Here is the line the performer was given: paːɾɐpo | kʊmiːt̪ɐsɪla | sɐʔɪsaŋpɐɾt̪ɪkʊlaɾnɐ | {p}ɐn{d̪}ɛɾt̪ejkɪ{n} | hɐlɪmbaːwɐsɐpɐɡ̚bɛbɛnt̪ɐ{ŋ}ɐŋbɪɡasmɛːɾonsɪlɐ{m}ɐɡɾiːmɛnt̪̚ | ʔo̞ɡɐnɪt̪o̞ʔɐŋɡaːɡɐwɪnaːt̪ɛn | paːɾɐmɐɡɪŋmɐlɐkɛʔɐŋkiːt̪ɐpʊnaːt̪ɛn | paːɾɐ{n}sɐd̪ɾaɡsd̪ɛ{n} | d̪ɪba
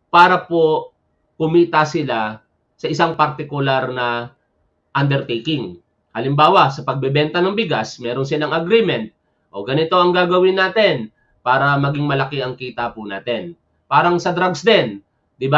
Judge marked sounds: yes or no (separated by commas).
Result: no, yes, no, no, no, no, yes